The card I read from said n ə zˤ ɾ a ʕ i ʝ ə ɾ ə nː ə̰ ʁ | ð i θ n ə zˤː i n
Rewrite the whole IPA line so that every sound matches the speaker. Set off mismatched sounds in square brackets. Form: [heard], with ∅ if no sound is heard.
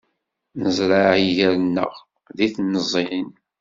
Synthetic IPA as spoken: n ə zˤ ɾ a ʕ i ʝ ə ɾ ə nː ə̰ ʁ | ð i θ n ə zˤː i n